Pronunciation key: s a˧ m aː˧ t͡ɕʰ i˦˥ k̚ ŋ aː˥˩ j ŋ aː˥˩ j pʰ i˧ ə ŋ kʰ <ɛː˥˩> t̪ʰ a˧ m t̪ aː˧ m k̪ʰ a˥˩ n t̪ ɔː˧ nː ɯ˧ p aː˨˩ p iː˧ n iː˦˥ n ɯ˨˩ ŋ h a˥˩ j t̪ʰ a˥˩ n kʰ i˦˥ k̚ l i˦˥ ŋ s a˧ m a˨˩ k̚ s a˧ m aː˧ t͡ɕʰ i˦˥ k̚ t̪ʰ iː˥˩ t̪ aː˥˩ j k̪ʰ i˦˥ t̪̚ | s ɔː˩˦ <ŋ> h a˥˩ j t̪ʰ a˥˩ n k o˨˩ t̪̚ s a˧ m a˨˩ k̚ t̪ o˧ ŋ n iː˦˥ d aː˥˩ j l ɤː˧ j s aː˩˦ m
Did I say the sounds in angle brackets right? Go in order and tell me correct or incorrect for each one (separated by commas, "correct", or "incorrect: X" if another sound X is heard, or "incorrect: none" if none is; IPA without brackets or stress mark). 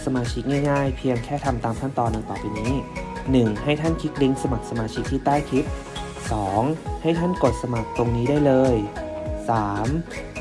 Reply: correct, correct